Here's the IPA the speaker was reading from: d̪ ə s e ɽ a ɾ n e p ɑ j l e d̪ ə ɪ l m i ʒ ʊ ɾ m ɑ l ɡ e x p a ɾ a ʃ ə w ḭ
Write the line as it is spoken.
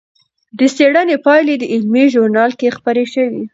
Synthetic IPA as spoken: d̪ ə s e ɽ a n e p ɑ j l e d̪ ə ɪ l m i ʒ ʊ ɾ n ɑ l k e x p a ɾ e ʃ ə w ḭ